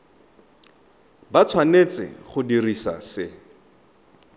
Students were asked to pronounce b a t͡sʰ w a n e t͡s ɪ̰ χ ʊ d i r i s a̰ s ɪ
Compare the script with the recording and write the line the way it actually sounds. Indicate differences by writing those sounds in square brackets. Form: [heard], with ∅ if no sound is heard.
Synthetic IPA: b a t͡sʰ w a n e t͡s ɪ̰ χ ʊ d i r i s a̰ s ɪ